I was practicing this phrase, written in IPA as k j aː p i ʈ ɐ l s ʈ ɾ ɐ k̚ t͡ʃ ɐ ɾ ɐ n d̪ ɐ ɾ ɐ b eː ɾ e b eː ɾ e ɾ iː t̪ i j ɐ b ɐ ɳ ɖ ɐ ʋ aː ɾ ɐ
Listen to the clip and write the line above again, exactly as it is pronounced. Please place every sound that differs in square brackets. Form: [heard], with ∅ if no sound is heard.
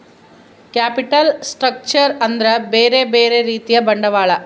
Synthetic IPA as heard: k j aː p i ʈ ɐ l s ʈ ɾ ɐ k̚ t͡ʃ ɐ ɾ ɐ n d̪ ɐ ɾ ɐ b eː ɾ e b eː ɾ e ɾ iː t̪ i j ɐ b ɐ ɳ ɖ ɐ ʋ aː [ɭ] ɐ